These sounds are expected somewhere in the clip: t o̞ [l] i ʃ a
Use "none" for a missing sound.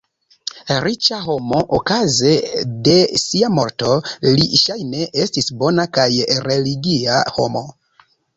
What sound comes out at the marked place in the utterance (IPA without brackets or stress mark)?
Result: l